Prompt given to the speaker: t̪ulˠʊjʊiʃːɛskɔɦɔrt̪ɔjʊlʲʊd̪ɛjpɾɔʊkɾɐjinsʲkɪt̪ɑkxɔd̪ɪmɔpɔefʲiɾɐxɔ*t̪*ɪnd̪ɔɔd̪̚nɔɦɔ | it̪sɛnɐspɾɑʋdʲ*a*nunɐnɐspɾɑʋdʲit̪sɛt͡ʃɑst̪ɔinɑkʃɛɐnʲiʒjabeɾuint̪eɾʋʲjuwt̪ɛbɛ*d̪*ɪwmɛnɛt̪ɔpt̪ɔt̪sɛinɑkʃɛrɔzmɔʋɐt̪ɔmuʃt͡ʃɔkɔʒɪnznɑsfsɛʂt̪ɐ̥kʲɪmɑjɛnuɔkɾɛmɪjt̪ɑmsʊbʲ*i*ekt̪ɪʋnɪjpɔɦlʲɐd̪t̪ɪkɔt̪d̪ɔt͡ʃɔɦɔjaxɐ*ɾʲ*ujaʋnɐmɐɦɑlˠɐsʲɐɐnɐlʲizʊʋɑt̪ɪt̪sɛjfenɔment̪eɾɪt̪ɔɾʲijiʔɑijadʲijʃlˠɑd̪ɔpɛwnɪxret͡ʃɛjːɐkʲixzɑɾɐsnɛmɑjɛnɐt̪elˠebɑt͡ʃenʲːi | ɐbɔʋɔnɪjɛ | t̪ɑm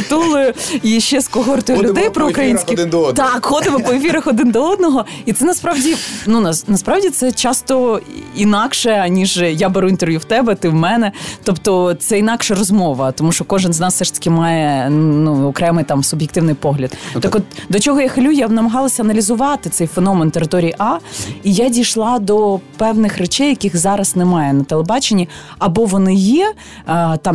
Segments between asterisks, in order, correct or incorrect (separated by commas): incorrect, incorrect, incorrect, incorrect, incorrect